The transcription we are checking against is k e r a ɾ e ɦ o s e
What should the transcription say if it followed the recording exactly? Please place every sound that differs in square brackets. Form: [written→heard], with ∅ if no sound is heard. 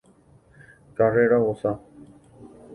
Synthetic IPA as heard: k [e→a] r [a→e] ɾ [e→a] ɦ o s [e→a]